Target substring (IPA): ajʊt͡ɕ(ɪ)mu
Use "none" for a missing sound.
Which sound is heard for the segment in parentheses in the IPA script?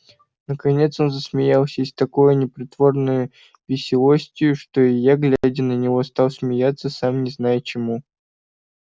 ɪ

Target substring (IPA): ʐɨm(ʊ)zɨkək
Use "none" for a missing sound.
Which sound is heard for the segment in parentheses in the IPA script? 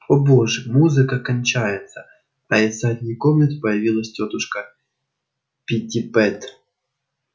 u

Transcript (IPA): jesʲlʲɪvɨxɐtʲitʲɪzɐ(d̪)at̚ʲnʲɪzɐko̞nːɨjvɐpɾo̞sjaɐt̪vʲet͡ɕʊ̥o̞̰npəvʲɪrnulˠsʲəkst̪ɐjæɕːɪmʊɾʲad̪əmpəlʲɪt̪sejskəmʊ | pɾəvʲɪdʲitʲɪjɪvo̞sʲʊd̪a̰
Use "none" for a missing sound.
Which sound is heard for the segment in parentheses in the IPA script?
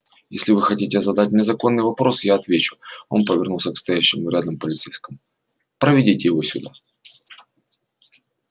d̪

